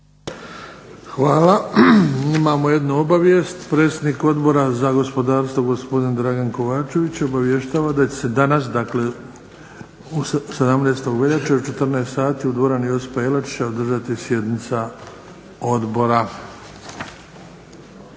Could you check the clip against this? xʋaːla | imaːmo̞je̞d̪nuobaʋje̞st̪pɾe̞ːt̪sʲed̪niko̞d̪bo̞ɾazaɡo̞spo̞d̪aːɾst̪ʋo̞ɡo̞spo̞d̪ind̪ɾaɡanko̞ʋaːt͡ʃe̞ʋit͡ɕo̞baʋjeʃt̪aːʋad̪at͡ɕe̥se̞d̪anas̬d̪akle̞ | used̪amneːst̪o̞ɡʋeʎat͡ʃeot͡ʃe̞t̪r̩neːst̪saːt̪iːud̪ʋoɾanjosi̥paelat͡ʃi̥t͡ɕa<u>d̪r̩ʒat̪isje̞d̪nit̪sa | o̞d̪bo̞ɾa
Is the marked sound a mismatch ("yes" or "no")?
yes